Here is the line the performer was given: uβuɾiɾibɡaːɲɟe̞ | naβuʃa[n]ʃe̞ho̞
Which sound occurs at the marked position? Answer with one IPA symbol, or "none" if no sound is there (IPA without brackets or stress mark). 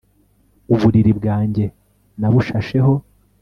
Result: none